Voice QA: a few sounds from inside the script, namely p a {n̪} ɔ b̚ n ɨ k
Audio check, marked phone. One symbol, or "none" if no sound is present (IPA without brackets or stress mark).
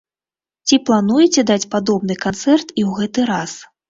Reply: d̪